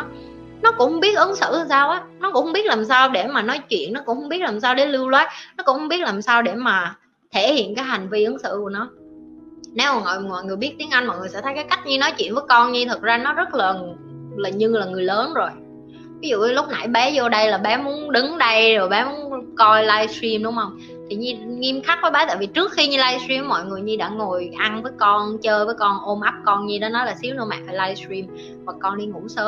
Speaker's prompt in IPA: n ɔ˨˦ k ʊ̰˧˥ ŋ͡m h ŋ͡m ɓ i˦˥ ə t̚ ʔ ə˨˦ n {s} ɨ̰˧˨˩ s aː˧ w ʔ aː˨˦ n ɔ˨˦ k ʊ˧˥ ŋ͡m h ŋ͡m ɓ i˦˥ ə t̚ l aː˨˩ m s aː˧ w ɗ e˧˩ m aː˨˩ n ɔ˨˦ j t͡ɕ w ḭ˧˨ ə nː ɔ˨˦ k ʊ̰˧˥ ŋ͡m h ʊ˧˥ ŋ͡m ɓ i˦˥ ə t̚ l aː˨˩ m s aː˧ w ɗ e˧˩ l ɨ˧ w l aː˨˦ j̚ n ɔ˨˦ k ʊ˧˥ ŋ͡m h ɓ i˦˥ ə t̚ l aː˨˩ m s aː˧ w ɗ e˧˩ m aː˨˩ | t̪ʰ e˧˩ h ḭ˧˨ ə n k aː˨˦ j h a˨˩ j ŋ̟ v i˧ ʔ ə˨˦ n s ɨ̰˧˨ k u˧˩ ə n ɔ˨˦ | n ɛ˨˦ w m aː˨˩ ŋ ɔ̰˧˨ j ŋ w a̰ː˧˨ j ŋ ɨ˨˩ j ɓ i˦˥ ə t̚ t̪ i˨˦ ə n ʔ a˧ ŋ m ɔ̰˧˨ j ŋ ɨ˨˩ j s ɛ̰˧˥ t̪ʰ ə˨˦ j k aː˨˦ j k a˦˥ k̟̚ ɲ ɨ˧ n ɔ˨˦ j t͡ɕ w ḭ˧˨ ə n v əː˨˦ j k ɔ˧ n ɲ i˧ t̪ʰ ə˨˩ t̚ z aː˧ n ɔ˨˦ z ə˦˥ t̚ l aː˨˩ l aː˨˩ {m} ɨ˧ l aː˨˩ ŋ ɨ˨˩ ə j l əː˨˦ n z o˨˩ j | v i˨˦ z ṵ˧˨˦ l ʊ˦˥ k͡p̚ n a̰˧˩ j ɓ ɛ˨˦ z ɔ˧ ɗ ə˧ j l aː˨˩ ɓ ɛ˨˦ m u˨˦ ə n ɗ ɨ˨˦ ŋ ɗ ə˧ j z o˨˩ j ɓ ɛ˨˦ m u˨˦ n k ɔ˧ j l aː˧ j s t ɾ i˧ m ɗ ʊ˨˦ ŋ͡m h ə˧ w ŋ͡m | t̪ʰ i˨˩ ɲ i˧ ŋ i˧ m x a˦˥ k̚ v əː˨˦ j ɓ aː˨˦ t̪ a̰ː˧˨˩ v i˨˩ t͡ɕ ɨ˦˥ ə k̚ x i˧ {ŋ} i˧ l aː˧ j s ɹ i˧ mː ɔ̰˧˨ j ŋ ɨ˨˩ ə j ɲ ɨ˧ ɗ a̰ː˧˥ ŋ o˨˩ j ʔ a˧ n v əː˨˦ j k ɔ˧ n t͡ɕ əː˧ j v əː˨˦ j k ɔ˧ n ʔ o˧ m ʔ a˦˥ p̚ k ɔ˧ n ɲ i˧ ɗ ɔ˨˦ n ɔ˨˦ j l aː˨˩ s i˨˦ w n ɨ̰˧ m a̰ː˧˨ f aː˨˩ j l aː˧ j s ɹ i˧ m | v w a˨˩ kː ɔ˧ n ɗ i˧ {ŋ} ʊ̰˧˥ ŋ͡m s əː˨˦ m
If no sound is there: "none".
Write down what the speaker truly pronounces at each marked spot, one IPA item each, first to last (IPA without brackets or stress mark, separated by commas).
s, ɲ, ɲ, ŋ